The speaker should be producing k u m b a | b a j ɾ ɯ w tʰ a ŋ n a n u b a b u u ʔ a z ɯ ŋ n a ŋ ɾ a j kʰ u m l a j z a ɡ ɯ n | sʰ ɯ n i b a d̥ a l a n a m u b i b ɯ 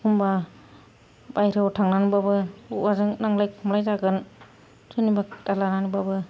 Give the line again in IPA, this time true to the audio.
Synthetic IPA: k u m b a | b a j ɾ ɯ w tʰ a ŋ n a n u b a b ɯ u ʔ a z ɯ ŋ n a ŋ l a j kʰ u m l a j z a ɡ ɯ n | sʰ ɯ n i b a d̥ a l a n a n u b a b ɯ